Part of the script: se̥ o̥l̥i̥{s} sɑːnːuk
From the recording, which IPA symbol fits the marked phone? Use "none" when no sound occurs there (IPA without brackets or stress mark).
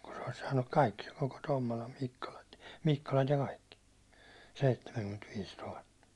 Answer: s